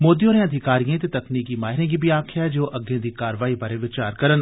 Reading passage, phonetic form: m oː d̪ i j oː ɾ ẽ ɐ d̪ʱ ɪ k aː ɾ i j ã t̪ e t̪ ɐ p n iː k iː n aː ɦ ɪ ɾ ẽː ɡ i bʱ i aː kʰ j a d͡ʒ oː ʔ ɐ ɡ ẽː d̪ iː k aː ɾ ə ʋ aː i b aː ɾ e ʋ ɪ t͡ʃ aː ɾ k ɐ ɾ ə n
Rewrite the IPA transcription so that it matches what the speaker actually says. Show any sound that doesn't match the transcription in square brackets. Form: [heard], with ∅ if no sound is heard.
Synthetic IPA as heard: m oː d̪ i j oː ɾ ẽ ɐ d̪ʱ ɪ k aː ɾ i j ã t̪ e t̪ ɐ [k] n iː k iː [m] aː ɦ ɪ ɾ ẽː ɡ i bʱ i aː kʰ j a d͡ʒ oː ʔ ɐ ɡ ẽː d̪ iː k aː ɾ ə ʋ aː i b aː ɾ e ʋ ɪ t͡ʃ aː ɾ k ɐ ɾ ə n